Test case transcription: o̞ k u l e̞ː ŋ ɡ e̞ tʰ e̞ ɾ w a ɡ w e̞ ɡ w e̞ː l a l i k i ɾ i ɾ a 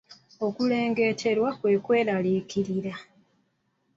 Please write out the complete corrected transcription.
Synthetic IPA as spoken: o̞ k u l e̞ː ŋ ɡ e̞ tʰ e̞ ɾ w a k w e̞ k w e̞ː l a l i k i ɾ i ɾ a